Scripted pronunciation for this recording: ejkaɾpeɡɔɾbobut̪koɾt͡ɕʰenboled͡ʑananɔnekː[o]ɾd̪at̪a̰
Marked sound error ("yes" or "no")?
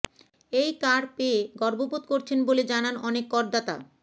yes